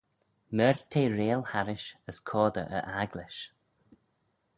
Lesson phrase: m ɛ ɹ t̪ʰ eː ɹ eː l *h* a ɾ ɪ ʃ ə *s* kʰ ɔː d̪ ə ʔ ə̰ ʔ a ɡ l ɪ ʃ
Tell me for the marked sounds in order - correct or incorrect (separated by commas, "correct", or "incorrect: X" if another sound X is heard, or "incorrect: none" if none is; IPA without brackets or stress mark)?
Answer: correct, correct